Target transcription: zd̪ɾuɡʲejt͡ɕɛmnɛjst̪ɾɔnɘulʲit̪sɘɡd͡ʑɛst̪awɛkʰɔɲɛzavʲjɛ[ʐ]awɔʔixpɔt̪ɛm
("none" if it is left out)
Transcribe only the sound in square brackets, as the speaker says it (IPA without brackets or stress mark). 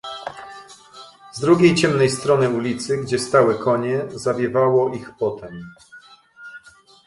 v